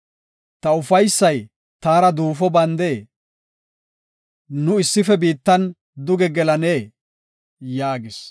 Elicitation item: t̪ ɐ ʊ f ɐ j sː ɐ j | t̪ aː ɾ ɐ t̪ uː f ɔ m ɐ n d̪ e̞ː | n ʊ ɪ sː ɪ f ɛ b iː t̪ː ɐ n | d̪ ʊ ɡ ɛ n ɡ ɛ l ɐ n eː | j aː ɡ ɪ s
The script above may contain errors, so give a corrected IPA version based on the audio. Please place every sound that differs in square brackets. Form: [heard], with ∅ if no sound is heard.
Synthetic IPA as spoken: t̪ ɐ ʊ f ɐ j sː ɐ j | t̪ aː ɾ ɐ [d̪] uː f ɔ [b] ɐ n d̪ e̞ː | n ʊ ɪ sː ɪ f ɛ b iː t̪ː ɐ n | d̪ ʊ ɡ ɛ [∅] ɡ ɛ l ɐ n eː | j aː ɡ ɪ s

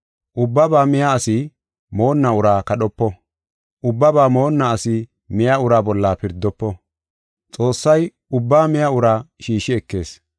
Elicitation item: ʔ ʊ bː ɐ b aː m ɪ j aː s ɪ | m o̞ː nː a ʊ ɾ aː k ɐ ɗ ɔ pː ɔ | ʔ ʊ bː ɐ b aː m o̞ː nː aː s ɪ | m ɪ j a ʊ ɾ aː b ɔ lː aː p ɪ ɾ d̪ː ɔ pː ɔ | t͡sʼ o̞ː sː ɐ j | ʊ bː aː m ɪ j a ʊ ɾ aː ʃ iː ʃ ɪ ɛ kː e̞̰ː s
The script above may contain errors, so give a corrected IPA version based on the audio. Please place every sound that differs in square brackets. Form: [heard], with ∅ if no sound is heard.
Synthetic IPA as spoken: ʔ ʊ bː ɐ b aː m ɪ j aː s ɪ | m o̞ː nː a ʊ ɾ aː k ɐ ɗ ɔ pː ɔ | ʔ ʊ bː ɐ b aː m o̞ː nː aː s ɪ | m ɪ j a ʊ ɾ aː b ɔ lː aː p ɪ ɾ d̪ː ɔ pː ɔ | t͡sʼ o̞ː sː ɐ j | ʊ bː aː m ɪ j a ʊ ɾ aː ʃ iː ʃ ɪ ɛ kː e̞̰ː s

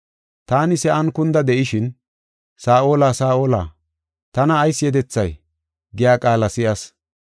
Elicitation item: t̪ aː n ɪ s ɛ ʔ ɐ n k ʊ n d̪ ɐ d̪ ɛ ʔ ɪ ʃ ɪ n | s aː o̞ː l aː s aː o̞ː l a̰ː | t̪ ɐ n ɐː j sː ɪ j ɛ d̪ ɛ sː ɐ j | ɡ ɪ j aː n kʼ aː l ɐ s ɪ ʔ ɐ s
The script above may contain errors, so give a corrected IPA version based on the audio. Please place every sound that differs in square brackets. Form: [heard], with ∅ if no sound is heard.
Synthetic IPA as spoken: t̪ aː n ɪ s ɛ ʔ ɐ n k ʊ n d̪ ɐ d̪ ɛ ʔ ɪ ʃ ɪ n | s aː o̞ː l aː s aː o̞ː l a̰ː | t̪ ɐ n ɐː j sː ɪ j ɛ d̪ ɛ [t͡sː] ɐ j | ɡ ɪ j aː [∅] kʼ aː l ɐ s ɪ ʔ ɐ s

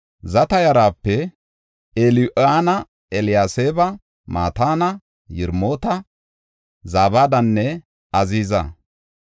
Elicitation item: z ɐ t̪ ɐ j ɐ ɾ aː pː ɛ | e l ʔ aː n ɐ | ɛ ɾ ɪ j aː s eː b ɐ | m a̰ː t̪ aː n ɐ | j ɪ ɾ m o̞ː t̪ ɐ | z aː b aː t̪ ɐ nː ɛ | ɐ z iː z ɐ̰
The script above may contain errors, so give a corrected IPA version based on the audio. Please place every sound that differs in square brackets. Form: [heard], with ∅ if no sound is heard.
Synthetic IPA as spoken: z ɐ t̪ ɐ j ɐ ɾ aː pː ɛ | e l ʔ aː n ɐ | ɛ [l] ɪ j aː s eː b ɐ | m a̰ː t̪ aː n ɐ | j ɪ ɾ m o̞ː t̪ ɐ | z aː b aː [d̪] ɐ nː ɛ | ɐ z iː z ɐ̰

